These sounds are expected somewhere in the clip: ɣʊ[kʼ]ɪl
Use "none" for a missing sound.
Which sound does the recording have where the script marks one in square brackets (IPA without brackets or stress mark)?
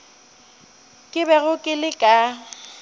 kʼ